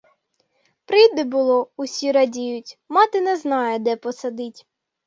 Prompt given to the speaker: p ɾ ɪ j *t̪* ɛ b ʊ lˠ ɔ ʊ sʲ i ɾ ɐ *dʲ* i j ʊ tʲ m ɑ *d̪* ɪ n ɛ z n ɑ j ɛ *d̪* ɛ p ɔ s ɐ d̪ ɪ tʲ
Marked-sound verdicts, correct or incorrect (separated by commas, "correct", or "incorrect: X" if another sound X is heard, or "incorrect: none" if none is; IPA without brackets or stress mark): incorrect: d̪, correct, incorrect: t̪, correct